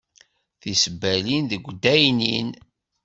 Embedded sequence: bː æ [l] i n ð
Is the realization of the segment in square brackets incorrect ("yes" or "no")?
no